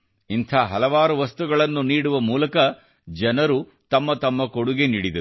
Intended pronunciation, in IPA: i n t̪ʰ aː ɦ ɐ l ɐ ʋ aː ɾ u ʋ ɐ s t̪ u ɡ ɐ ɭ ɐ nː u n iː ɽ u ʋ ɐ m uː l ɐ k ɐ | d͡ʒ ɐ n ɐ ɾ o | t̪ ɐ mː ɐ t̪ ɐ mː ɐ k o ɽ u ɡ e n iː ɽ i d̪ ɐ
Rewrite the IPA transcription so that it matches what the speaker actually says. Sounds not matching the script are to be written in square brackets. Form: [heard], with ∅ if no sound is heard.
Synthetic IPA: i n t̪ʰ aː ɦ ɐ l ɐ ʋ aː ɾ u ʋ ɐ s t̪ u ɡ ɐ ɭ ɐ nː u n iː ɽ u ʋ ɐ m uː l ɐ k ɐ | d͡ʒ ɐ n ɐ ɾ [u] | t̪ ɐ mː ɐ t̪ ɐ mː ɐ k o ɽ u ɡ e n iː ɽ i d̪ ɐ